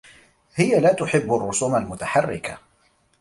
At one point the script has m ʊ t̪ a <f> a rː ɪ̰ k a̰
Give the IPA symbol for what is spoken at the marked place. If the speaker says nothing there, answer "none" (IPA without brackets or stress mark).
ħ